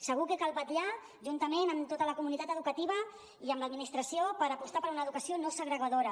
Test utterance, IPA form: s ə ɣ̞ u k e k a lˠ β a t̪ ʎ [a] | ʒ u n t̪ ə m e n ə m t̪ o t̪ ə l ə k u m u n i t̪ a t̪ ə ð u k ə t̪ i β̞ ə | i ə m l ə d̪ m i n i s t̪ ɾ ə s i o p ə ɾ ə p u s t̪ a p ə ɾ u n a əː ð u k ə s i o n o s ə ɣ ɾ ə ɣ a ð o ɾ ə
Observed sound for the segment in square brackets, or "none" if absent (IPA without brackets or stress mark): a